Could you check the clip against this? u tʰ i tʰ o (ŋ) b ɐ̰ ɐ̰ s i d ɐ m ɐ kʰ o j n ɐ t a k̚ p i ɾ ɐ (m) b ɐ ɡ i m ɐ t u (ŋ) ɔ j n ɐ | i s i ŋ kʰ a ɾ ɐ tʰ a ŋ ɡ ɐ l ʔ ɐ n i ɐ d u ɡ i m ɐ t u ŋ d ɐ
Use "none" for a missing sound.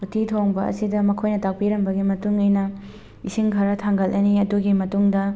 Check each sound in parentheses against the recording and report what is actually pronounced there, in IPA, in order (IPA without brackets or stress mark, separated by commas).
ŋ, m, ŋ